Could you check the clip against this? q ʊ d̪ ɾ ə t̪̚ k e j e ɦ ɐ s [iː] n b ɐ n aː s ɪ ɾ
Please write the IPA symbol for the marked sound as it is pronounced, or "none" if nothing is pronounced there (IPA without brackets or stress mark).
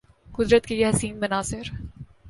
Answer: iː